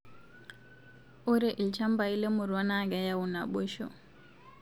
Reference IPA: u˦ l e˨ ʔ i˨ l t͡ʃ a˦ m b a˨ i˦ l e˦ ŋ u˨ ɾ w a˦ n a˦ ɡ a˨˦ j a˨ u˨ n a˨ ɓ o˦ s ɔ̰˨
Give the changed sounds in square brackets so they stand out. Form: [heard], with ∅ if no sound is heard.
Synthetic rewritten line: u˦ [ɾ] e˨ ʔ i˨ l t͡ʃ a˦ m b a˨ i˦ l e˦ [m] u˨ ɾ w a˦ n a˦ ɡ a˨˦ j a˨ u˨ n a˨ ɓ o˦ [ʃ] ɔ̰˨